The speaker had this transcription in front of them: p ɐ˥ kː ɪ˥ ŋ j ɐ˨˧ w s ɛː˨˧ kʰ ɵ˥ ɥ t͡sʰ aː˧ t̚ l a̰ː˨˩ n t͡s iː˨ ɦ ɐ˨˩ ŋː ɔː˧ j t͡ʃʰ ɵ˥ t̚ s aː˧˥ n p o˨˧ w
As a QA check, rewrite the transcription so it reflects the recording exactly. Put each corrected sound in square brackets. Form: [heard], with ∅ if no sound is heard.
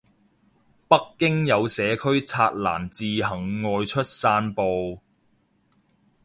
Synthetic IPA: p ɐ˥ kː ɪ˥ ŋ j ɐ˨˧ w s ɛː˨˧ kʰ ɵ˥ ɥ t͡sʰ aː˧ t̚ l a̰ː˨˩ n t͡s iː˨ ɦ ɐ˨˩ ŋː ɔː˧ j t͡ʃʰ ɵ˥ t̚ s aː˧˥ n p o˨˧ w